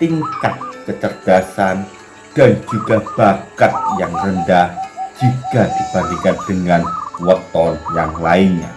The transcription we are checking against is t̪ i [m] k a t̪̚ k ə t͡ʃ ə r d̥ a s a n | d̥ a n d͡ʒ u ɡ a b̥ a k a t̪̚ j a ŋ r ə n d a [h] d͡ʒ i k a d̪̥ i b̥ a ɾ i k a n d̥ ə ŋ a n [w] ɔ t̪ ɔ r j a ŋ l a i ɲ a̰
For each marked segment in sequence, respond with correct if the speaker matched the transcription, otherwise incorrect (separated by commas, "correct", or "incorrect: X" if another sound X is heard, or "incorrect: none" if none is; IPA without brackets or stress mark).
incorrect: ŋ, correct, correct